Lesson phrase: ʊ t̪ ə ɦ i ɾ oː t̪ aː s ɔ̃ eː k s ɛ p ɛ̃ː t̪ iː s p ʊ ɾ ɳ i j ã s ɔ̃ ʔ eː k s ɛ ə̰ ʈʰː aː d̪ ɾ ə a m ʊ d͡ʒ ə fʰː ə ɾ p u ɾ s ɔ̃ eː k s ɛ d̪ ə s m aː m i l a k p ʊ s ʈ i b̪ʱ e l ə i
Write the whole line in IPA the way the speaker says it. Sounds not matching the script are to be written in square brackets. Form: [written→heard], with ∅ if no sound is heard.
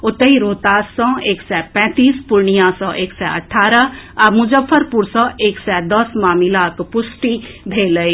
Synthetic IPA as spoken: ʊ t̪ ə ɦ i ɾ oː t̪ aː s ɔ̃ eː k s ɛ p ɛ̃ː t̪ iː s p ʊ ɾ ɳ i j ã s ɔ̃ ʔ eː k s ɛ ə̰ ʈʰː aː [d̪→∅] ɾ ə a m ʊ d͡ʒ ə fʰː ə ɾ p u ɾ s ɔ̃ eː k s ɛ d̪ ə s m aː m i l a k p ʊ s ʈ i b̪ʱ e l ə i